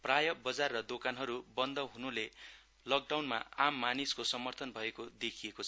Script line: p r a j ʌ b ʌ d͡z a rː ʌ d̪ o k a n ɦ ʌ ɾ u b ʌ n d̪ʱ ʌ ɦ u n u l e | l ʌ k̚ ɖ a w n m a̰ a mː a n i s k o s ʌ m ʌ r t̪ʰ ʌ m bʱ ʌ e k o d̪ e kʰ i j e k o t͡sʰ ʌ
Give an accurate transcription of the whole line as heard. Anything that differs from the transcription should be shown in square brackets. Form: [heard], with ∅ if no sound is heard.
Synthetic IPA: p r a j ʌ b ʌ d͡z a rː ʌ d̪ o k a n ɦ ʌ ɾ u b ʌ n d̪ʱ ʌ ɦ u n u l e | l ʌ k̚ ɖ a w n m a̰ a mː a n i s k o s ʌ m ʌ r t̪ʰ ʌ [n] bʱ ʌ e k o d̪ e kʰ i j e k o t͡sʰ ʌ